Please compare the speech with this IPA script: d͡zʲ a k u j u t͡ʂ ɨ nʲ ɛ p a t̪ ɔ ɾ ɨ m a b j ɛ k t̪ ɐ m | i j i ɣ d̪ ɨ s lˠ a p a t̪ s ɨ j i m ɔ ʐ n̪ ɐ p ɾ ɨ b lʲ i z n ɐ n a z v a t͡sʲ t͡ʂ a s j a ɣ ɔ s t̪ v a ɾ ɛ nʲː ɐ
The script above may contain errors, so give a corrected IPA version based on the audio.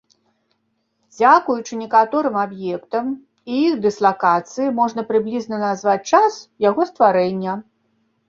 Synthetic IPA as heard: d͡zʲ a k u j u t͡ʂ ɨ nʲ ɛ k a t̪ ɔ ɾ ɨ m a b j ɛ k t̪ ɐ m | i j i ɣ d̪ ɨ s lˠ a k a t̪ s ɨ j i m ɔ ʐ n̪ ɐ p ɾ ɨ b lʲ i z n ɐ n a z v a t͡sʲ t͡ʂ a s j a ɣ ɔ s t̪ v a ɾ ɛ nʲː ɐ